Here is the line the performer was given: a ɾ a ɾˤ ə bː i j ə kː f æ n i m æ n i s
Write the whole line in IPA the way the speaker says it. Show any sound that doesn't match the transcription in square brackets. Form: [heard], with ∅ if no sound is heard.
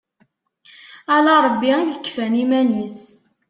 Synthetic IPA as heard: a [l] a ɾˤ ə bː i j ə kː f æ n i m æ n i s